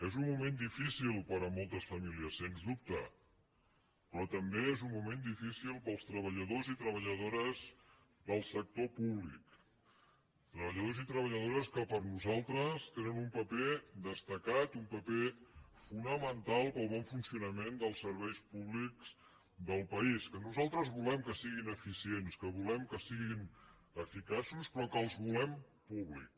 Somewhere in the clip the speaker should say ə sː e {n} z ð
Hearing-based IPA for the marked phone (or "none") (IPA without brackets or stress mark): n